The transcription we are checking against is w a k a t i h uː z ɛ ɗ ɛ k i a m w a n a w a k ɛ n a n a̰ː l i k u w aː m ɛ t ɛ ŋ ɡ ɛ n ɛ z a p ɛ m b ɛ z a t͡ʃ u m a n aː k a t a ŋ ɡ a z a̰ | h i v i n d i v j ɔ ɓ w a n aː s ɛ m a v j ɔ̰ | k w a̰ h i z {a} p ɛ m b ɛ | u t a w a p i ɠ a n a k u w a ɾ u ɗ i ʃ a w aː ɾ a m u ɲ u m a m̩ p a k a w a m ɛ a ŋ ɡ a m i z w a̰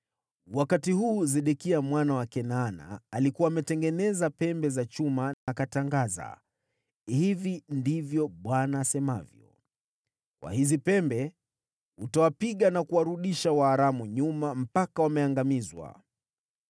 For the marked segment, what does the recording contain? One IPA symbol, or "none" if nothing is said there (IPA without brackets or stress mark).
i